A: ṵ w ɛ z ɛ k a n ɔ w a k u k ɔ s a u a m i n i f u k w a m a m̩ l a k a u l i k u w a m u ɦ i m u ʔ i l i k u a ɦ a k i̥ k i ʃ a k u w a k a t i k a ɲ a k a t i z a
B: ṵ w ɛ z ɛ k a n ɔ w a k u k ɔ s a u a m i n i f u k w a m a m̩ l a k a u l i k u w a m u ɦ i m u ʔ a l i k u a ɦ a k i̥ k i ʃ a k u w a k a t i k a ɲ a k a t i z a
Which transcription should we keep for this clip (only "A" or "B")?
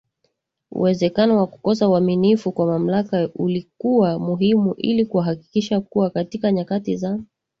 A